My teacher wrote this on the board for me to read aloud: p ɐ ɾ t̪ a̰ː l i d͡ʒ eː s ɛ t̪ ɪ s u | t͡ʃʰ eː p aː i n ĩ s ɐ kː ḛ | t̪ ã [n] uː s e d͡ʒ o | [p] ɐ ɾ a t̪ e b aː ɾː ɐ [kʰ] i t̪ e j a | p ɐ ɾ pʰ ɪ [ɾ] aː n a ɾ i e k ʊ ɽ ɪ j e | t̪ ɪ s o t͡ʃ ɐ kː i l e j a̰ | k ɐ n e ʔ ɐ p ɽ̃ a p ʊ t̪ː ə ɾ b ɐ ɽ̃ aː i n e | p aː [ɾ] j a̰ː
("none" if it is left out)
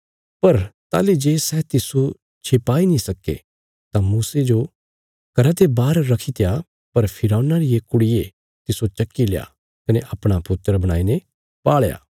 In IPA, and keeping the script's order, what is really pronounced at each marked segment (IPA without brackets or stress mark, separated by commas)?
m, k, kʰ, ɾ, ɭ